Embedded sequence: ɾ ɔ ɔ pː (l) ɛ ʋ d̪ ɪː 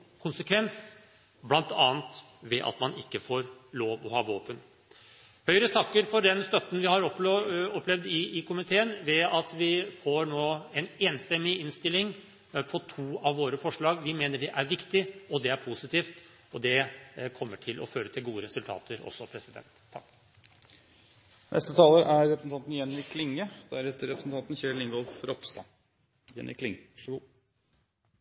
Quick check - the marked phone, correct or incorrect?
correct